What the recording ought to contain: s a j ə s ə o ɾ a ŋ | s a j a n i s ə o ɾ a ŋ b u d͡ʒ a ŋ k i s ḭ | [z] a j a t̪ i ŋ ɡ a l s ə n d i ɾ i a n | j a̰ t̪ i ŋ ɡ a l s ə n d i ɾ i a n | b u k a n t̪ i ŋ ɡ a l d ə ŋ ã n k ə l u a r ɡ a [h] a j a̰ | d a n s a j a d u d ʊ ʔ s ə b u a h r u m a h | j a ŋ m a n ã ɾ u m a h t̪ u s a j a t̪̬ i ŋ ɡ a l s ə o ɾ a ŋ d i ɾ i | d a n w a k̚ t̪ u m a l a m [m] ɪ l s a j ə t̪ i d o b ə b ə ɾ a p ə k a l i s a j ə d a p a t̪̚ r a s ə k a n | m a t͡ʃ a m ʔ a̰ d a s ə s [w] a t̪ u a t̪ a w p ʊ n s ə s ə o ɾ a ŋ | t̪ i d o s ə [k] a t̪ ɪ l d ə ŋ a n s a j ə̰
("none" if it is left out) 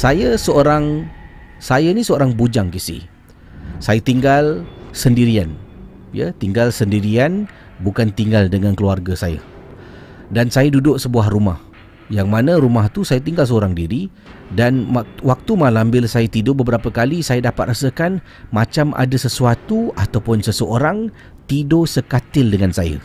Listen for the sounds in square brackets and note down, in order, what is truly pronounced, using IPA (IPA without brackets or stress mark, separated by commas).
s, s, b, u, k